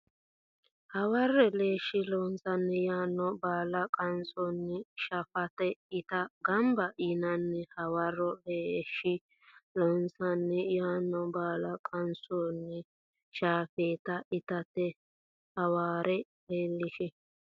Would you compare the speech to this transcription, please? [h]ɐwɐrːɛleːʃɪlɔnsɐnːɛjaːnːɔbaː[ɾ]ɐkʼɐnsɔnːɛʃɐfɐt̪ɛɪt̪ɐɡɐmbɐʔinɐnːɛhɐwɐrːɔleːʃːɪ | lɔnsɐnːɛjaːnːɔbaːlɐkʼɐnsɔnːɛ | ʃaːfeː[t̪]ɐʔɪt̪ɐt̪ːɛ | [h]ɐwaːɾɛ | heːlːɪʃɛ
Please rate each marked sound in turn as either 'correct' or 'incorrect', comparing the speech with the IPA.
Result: correct, incorrect, correct, correct

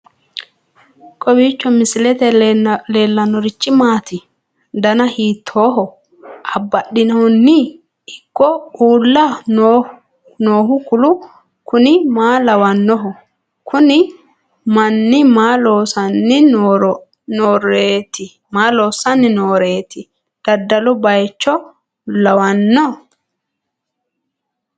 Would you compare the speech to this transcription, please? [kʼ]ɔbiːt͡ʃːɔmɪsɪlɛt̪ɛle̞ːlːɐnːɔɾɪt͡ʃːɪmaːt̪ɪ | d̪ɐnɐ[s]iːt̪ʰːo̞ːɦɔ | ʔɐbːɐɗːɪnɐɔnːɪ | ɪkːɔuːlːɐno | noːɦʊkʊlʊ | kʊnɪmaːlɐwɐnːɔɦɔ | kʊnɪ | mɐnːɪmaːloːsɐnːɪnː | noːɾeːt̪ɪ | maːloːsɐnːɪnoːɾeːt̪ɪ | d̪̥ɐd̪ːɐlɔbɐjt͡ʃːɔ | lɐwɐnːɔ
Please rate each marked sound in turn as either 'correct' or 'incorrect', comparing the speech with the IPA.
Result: correct, incorrect

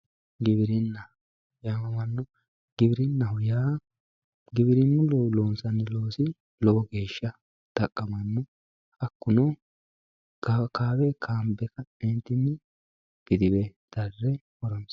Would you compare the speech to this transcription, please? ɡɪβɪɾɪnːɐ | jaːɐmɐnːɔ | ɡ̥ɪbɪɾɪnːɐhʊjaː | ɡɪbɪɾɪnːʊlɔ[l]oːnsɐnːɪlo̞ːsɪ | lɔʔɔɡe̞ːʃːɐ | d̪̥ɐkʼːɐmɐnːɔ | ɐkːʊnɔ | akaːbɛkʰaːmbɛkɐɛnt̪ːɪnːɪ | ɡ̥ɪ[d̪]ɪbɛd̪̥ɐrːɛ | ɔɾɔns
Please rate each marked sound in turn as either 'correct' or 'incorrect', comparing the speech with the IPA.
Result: correct, correct

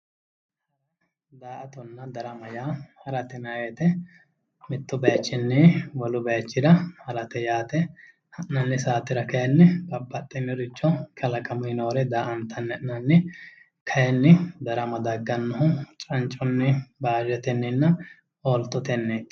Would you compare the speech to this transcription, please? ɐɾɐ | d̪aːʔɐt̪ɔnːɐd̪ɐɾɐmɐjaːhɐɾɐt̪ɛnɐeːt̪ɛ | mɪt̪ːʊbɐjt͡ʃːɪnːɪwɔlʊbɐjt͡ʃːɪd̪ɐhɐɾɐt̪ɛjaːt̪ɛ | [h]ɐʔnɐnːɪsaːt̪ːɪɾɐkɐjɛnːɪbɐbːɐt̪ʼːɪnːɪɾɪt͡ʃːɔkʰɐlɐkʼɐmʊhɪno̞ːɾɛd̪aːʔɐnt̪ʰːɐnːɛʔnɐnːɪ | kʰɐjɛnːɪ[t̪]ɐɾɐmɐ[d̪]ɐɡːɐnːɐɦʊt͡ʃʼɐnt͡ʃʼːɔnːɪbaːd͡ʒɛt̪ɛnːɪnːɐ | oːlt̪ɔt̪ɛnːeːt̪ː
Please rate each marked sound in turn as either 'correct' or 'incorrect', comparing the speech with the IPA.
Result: correct, incorrect, correct

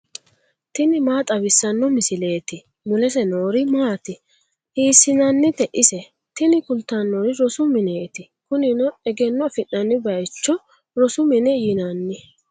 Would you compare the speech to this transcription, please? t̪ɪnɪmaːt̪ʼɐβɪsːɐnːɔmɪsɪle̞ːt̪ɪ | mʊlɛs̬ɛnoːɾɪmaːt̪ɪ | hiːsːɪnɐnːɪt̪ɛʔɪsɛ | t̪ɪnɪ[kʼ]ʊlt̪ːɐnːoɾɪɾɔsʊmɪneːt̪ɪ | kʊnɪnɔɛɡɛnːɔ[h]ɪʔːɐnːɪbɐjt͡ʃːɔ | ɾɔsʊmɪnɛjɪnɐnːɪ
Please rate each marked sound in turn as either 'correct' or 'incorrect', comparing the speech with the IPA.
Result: incorrect, incorrect

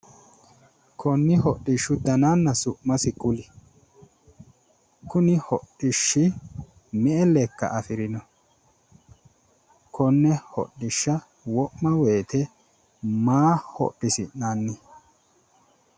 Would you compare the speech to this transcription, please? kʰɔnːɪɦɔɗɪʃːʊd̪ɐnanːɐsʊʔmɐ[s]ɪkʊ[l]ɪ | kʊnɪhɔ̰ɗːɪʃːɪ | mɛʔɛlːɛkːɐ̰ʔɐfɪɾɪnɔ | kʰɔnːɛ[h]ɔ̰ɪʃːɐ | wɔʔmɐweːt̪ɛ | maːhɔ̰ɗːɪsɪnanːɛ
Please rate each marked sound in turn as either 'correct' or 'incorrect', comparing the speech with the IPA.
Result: correct, correct, correct

